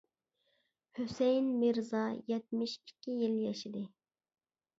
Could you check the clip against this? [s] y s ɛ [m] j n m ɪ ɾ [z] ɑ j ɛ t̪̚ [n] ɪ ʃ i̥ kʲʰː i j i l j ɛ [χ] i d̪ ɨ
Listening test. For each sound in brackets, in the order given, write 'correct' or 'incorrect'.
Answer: incorrect: h, incorrect: none, correct, incorrect: m, incorrect: ʃ

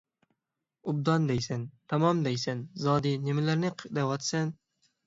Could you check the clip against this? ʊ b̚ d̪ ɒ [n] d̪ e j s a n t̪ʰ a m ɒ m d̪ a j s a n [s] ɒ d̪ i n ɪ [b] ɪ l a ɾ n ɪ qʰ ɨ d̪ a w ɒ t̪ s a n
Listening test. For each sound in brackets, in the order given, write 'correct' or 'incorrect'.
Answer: correct, incorrect: z, incorrect: m

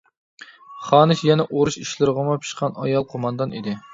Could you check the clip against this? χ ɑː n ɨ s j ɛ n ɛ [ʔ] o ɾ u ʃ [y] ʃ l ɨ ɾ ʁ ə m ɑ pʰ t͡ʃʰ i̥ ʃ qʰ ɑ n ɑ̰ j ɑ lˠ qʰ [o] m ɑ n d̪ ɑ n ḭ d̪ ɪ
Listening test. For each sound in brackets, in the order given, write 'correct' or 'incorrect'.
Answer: correct, incorrect: i, correct

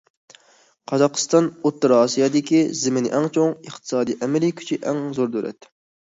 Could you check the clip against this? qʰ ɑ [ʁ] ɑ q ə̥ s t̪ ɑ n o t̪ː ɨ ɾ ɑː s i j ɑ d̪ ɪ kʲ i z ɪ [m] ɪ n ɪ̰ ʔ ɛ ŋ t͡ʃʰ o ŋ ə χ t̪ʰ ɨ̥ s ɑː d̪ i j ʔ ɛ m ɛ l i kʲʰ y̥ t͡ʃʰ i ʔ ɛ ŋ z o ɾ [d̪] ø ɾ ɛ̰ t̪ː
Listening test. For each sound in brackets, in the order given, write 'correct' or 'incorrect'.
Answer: incorrect: z, correct, correct

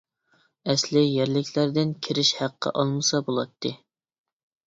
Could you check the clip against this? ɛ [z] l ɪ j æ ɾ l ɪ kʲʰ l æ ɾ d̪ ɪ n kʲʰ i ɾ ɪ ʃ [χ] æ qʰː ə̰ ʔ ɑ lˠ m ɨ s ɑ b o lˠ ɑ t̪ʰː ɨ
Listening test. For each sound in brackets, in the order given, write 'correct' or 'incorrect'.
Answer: incorrect: s, incorrect: h

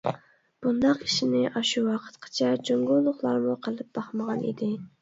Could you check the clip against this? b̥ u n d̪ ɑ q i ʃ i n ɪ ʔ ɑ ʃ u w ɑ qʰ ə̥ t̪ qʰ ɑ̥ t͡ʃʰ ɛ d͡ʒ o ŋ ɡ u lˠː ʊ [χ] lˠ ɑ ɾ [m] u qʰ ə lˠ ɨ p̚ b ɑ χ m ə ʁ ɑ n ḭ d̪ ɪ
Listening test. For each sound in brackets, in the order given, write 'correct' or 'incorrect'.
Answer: correct, correct

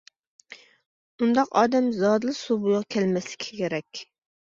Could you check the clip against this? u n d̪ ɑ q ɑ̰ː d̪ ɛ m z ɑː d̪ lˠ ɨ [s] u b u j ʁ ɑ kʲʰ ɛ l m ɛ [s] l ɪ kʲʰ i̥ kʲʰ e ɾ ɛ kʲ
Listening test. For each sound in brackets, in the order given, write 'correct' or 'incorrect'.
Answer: correct, correct

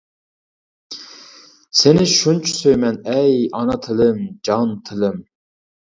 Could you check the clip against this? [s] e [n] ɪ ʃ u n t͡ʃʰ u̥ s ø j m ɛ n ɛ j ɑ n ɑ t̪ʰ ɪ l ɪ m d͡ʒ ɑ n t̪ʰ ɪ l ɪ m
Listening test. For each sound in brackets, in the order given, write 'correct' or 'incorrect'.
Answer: correct, correct

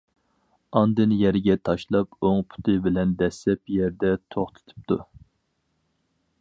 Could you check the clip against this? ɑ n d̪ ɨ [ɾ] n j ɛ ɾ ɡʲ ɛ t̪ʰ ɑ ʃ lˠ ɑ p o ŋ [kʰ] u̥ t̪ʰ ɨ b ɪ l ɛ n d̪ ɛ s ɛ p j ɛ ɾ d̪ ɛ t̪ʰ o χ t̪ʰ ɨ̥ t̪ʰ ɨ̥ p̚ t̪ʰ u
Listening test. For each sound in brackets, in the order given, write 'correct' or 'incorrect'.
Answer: incorrect: none, incorrect: pʰ

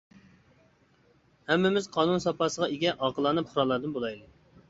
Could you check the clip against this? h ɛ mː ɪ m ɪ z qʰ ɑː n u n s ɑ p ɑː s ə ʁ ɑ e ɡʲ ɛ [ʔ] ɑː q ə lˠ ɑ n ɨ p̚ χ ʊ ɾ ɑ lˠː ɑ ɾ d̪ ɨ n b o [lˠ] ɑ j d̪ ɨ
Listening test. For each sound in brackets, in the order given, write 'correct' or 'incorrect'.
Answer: correct, correct

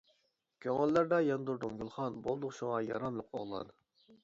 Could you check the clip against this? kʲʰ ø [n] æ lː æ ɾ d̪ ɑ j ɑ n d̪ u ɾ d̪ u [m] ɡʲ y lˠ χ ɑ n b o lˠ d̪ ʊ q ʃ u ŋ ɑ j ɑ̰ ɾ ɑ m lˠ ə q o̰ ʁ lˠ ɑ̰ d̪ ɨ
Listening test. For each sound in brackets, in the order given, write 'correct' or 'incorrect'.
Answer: incorrect: ŋ, incorrect: ŋ

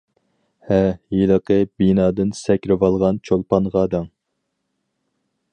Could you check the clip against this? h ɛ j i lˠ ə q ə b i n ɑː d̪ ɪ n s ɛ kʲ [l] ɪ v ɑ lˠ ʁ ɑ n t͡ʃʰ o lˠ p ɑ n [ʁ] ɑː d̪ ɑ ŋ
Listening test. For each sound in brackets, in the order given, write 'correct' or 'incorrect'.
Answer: incorrect: ɾ, correct

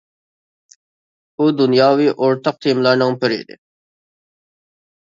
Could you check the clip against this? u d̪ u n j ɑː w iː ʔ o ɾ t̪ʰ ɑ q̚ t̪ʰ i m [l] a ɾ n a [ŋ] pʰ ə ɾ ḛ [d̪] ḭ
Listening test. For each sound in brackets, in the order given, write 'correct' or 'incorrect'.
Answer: correct, correct, correct

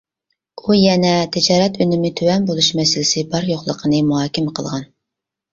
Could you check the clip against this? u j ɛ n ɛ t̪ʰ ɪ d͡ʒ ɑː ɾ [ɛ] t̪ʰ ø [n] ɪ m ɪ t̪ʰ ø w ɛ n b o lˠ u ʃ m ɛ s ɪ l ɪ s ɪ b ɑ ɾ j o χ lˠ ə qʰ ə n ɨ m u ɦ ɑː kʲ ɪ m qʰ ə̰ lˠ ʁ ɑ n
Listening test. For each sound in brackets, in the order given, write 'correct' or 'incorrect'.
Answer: correct, correct

